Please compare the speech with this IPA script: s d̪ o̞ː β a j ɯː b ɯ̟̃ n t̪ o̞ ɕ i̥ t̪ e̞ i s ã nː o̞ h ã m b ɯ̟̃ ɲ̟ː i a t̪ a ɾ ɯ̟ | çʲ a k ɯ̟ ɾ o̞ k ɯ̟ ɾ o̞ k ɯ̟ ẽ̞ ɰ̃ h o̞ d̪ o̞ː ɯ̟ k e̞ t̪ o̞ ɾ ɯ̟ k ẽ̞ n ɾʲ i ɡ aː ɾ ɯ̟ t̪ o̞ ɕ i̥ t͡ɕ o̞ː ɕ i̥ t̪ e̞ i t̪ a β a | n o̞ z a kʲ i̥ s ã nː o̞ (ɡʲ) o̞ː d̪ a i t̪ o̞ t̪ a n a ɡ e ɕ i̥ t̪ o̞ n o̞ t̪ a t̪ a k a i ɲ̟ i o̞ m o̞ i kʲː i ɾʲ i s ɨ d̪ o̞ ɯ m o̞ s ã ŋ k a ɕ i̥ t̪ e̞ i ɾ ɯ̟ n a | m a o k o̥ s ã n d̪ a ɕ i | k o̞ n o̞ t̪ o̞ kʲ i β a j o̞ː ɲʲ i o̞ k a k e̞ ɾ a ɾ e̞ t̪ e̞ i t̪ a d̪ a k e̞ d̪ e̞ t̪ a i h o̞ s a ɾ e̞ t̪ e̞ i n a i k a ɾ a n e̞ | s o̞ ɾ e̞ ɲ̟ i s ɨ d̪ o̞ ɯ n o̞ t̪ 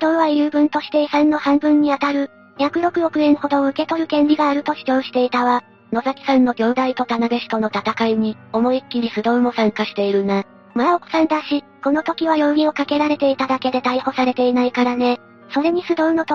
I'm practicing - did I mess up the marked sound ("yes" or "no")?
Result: no